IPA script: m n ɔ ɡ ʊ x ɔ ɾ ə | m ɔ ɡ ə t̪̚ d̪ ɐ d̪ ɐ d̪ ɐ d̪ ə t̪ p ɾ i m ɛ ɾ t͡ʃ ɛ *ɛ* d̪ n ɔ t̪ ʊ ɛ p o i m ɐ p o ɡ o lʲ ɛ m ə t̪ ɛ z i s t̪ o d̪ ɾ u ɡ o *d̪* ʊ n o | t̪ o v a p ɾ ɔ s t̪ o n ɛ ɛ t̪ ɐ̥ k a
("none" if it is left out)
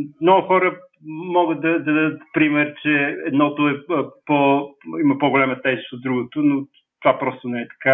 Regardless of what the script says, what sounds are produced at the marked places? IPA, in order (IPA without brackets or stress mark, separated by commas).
ɛ, t̪